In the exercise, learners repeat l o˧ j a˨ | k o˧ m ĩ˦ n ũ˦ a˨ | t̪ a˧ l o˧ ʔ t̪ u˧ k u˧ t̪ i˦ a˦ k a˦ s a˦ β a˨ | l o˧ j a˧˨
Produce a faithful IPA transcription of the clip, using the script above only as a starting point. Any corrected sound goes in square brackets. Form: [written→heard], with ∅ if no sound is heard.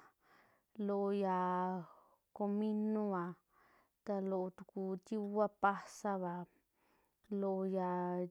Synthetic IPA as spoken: l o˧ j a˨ | k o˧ m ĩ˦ n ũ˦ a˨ | t̪ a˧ l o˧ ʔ t̪ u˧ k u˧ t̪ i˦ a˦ [k→p] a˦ s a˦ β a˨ | l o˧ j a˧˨

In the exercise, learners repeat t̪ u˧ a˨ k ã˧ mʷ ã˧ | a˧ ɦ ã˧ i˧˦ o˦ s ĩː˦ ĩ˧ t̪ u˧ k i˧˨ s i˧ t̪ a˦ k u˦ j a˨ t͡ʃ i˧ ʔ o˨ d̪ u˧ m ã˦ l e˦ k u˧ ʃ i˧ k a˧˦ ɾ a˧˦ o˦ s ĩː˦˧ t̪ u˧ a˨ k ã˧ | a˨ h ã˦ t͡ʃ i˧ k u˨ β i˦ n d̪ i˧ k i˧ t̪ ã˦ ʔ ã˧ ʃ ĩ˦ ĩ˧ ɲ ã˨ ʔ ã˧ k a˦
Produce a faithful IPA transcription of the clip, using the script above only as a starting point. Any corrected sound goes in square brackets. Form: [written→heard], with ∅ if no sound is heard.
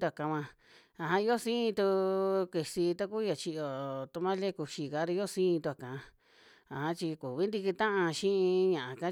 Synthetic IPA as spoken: t̪ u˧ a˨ k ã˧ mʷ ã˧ | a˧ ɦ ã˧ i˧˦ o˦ s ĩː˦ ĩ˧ t̪ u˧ k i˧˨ s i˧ t̪ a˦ k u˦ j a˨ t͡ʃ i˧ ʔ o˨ [d̪→t̪] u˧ m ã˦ l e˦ k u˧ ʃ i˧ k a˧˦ ɾ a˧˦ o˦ s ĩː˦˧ t̪ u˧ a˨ k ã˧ | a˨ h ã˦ t͡ʃ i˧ k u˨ β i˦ n d̪ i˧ k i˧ t̪ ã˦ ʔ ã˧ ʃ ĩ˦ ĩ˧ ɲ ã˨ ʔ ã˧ k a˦

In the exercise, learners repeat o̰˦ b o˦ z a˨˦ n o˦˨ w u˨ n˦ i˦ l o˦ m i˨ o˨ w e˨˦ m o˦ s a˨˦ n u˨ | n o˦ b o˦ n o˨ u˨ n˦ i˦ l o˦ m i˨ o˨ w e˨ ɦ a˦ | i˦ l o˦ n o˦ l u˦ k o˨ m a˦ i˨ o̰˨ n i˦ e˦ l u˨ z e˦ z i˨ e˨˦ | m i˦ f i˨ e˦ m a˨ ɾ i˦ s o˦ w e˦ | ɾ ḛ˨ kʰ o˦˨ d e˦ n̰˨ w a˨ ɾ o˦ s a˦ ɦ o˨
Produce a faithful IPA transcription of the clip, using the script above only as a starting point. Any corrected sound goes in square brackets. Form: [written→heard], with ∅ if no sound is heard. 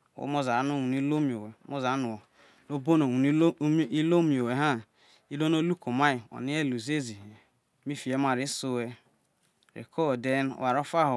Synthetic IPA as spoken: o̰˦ [b→m] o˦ z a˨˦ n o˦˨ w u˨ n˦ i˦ l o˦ m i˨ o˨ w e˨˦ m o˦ [s→z] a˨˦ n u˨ | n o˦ b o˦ n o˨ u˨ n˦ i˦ l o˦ m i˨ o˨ w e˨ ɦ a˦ | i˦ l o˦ n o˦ l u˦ k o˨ m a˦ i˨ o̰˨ n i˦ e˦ l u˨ z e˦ z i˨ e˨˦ | m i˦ f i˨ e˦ m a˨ ɾ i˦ s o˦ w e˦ | ɾ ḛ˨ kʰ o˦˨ d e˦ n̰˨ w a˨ ɾ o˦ [s→f] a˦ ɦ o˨

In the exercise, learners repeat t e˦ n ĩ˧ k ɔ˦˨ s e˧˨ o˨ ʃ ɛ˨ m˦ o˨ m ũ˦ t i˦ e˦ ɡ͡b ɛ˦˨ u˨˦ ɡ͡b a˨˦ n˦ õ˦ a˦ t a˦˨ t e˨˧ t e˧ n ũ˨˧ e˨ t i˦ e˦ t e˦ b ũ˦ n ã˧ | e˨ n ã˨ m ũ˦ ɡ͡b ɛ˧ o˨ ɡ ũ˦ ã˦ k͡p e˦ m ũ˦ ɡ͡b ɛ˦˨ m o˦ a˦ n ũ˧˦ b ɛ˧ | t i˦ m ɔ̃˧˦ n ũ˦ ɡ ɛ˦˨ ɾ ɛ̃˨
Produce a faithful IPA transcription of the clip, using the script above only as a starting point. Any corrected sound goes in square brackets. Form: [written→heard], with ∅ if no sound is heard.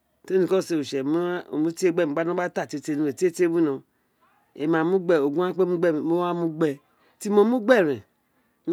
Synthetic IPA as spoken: t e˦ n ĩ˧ k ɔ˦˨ s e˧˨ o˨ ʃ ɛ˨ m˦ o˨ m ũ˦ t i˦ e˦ ɡ͡b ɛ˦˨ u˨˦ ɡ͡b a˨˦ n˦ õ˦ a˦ t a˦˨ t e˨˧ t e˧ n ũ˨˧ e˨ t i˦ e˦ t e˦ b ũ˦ n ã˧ | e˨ [n→m] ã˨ m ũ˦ ɡ͡b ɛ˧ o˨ ɡ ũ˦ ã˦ k͡p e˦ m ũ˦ ɡ͡b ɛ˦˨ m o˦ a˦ [n→m] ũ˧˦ [b→ɡ͡b] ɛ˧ | t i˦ m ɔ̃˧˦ [n→m] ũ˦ [ɡ→ɡ͡b] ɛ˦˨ ɾ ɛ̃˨

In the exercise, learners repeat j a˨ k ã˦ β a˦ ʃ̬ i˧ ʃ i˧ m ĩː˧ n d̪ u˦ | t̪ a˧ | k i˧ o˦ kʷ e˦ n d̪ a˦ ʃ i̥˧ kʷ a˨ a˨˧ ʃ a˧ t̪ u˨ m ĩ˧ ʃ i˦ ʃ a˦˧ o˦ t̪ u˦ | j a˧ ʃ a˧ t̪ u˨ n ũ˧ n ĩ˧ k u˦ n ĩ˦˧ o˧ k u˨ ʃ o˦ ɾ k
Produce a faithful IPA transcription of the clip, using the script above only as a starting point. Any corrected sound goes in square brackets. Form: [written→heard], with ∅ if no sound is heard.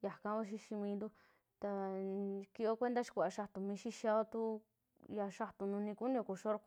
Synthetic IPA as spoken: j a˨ k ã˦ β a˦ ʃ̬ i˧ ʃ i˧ m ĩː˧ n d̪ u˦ | t̪ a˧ | k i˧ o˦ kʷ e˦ n d̪ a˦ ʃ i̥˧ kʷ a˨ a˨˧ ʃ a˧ t̪ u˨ m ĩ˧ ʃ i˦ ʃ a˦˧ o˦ t̪ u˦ | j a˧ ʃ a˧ t̪ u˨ n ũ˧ n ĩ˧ k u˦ n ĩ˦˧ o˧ k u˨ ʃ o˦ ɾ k

